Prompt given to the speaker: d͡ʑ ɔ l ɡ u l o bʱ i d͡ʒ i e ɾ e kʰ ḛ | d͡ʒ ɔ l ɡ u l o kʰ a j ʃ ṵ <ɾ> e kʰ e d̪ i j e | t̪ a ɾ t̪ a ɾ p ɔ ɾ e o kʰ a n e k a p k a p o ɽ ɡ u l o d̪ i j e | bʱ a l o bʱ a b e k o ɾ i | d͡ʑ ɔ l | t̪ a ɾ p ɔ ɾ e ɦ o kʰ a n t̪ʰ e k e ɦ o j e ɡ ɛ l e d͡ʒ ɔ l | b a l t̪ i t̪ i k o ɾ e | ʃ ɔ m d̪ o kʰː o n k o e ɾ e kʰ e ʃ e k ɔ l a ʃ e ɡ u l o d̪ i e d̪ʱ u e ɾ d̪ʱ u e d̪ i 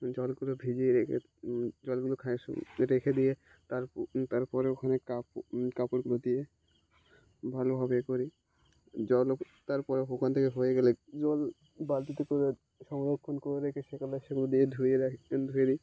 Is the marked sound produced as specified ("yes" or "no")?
yes